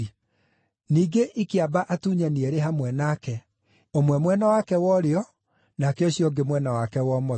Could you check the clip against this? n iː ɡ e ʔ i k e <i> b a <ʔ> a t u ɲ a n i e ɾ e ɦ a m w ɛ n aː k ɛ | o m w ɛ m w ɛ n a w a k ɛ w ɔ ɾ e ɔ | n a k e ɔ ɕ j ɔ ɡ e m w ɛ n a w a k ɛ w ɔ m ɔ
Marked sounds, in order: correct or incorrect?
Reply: incorrect: a, correct

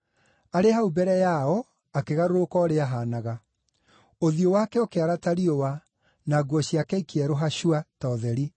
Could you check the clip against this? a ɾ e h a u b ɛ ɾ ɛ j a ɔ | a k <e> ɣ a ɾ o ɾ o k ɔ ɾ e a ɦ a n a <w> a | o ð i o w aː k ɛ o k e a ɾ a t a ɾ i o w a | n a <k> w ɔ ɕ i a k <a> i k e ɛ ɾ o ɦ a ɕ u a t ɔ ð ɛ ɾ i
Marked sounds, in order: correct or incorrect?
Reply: correct, incorrect: ɣ, incorrect: ɡ, incorrect: ɛ

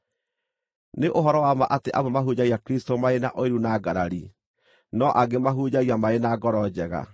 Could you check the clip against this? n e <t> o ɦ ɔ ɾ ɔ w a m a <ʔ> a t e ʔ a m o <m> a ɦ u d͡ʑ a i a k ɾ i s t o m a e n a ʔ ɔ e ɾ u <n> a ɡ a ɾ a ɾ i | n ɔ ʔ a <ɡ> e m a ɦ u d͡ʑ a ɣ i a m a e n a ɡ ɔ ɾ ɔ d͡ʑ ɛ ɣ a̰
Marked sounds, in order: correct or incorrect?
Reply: incorrect: ʔ, correct, correct, correct, correct

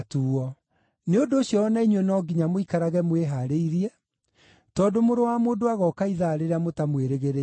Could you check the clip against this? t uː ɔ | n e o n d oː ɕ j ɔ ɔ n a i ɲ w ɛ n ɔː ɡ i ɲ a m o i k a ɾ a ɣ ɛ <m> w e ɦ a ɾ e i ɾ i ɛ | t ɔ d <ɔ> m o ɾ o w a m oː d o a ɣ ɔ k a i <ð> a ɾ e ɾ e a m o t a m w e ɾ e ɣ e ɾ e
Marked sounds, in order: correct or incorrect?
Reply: correct, incorrect: o, correct

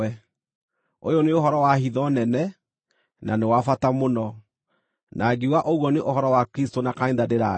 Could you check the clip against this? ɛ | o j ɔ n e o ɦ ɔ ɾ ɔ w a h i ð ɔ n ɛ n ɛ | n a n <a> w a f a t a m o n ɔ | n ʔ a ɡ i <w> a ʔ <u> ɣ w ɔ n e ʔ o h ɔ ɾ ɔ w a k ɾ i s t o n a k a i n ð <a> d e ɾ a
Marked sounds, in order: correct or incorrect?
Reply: incorrect: e, correct, incorrect: o, correct

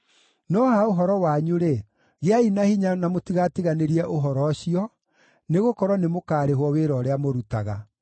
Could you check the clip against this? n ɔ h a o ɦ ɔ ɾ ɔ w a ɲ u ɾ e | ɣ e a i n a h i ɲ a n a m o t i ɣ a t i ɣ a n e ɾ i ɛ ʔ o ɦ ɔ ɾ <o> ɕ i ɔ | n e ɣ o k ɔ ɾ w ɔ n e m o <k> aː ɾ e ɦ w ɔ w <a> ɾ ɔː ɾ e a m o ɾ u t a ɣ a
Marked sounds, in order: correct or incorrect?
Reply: incorrect: ɔ, correct, incorrect: e

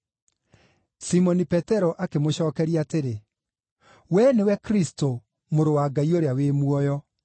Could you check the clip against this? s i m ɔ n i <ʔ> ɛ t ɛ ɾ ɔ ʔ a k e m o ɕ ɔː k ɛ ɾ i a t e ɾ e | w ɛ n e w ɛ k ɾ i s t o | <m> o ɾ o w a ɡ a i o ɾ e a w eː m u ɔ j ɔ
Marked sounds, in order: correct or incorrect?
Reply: incorrect: p, correct

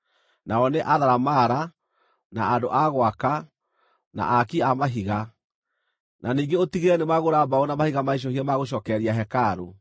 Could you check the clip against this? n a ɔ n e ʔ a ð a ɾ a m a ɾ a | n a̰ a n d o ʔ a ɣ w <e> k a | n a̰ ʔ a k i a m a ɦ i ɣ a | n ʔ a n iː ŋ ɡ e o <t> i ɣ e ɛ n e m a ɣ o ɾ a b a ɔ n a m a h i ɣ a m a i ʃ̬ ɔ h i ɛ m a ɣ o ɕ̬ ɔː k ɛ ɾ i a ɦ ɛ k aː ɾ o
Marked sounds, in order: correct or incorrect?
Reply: incorrect: a, correct

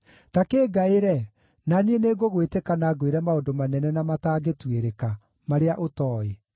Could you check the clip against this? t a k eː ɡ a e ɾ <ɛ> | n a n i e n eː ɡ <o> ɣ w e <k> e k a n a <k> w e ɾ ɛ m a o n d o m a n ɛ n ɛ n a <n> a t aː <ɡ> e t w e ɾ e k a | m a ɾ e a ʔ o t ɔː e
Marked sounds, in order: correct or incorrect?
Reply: correct, correct, incorrect: t, incorrect: ɡ, incorrect: m, correct

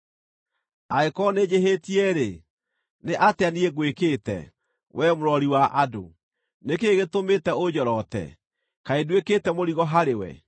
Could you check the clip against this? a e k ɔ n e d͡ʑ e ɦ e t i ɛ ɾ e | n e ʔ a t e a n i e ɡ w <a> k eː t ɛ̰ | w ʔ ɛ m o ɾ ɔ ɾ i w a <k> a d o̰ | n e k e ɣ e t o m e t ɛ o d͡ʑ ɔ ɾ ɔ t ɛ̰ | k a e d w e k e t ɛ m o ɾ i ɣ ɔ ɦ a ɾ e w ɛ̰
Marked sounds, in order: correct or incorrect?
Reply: incorrect: e, incorrect: ʔ

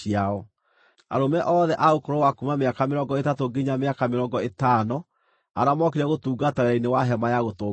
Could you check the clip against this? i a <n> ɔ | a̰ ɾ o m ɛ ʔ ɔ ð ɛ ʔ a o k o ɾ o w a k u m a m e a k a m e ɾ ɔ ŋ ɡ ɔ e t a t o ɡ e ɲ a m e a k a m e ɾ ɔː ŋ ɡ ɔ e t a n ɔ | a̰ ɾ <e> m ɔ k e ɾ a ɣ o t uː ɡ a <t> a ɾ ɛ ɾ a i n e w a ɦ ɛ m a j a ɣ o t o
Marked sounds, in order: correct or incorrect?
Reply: incorrect: none, incorrect: a, correct

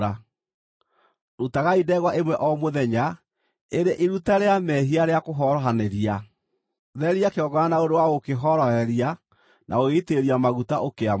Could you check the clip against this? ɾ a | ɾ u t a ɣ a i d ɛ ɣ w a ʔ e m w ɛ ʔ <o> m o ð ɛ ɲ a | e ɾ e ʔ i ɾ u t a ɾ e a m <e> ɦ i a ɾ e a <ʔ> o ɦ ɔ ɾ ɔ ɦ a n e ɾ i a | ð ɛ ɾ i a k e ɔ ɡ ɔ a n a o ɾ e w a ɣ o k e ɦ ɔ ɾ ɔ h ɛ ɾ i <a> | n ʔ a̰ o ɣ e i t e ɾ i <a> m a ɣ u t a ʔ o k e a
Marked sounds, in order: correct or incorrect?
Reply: incorrect: ɔ, incorrect: ɛ, incorrect: k, correct, correct

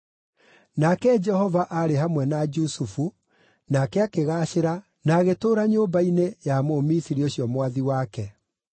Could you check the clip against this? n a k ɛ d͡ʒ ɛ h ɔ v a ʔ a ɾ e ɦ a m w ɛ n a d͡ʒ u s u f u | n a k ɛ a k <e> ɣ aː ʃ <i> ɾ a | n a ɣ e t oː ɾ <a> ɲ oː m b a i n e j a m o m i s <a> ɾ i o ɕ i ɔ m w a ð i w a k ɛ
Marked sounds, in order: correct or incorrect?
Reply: correct, incorrect: e, correct, incorrect: i

